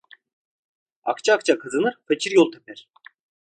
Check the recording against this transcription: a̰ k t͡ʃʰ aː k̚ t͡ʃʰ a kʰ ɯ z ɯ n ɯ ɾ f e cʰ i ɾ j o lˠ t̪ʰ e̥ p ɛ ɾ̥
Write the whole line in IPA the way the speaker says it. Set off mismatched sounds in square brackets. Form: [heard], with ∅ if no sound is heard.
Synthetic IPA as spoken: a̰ k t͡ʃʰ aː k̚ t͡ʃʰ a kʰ ɯ z ɯ n ɯ ɾ f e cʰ i ɾ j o lˠ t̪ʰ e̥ p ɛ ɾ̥

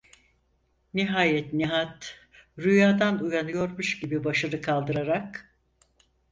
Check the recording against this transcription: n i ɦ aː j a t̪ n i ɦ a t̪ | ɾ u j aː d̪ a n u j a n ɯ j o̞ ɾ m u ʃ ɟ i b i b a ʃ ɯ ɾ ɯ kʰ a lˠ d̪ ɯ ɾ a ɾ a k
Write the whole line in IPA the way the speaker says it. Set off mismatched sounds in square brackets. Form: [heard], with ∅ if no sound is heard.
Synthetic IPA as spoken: n i ɦ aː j [ɛ] t̪ n i ɦ a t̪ | ɾ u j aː d̪ a n u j a n ɯ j o̞ ɾ m u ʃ ɟ i b i b a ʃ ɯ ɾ ɯ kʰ a lˠ d̪ ɯ ɾ a ɾ a k

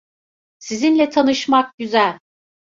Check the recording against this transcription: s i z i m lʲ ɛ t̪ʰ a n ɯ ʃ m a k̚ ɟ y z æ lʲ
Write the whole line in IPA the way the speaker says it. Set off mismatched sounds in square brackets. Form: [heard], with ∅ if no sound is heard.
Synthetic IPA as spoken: s i z i [n] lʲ ɛ t̪ʰ a n ɯ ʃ m a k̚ ɟ y z æ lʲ

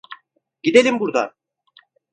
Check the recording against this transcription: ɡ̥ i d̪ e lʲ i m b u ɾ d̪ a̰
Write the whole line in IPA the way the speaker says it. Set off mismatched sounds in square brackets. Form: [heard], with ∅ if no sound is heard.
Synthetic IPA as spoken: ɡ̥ i d̪ e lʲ i m b u ɾ d̪ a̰

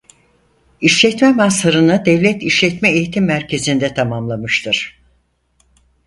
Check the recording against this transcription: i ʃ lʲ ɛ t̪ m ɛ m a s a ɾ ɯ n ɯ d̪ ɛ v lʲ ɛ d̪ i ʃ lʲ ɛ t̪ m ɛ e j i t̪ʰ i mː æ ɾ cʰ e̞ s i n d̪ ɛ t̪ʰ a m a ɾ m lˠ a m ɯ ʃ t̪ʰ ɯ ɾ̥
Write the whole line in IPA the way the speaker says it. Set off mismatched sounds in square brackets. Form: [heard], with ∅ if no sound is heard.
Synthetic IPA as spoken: i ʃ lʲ ɛ t̪ m ɛ m a s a ɾ ɯ n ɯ d̪ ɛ v lʲ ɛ [t̪] i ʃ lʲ ɛ t̪ m ɛ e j i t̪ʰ i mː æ ɾ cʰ e̞ [z] i n d̪ ɛ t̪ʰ a m a [∅] m lˠ a m ɯ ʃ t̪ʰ ɯ ɾ̥

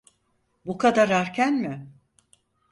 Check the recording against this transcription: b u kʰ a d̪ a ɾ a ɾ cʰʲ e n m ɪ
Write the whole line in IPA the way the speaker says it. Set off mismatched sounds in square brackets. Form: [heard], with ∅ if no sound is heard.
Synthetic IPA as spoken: b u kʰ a d̪ a ɾ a ɾ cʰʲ [æ] n m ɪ

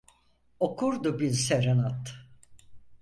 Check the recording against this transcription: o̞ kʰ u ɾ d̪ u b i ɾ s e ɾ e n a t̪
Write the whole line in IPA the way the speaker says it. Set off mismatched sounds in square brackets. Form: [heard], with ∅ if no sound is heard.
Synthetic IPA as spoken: o̞ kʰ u ɾ d̪ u b i ɾ s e ɾ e n a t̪

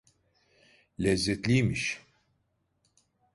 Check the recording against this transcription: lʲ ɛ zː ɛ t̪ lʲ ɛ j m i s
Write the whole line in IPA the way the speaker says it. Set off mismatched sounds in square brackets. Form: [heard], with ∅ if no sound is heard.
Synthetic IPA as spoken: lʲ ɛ zː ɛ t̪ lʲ [i] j m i [ʃ]

